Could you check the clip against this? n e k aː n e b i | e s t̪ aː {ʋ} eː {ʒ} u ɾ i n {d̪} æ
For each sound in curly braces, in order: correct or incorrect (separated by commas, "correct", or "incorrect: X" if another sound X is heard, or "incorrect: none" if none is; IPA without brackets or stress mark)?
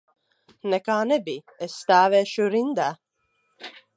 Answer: correct, incorrect: ʃ, correct